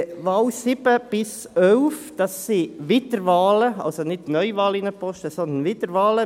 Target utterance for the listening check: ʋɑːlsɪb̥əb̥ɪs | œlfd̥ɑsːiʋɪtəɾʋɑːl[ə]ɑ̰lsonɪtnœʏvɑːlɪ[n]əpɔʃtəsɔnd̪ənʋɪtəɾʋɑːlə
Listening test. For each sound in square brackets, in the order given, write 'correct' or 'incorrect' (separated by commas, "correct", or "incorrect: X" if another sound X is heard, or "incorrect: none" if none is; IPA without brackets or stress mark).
correct, correct